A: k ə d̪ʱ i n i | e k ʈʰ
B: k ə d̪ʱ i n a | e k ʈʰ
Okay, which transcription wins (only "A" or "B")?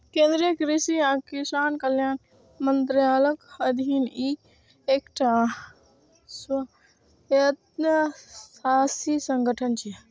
A